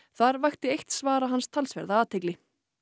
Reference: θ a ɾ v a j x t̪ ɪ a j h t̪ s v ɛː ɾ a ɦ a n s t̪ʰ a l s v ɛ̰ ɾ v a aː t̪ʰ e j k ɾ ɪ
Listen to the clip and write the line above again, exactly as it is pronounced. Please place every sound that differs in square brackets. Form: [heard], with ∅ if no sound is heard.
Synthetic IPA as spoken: θ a ɾ v a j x t̪ ɪ [e] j h t̪ s v [aː] ɾ a ɦ a n s t̪ʰ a l s v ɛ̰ ɾ [ð] a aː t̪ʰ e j k [l] ɪ